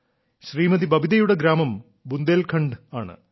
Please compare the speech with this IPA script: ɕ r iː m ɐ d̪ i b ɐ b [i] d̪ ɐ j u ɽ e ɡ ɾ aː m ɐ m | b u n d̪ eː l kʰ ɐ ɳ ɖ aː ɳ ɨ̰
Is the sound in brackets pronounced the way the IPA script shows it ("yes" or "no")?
yes